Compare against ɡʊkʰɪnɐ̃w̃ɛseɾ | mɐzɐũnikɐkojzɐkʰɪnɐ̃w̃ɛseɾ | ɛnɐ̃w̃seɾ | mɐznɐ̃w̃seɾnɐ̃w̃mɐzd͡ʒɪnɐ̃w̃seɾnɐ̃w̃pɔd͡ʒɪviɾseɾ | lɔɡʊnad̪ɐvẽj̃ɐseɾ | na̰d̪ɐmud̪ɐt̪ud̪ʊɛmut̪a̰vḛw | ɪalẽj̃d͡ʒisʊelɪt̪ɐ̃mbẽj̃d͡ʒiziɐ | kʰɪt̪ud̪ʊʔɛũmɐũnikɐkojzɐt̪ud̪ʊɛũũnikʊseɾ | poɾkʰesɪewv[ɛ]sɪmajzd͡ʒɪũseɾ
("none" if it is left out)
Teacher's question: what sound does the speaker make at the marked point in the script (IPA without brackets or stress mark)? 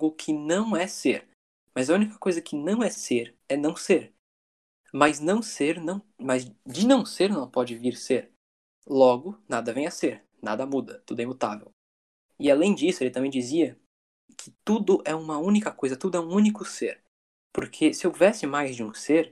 ɛ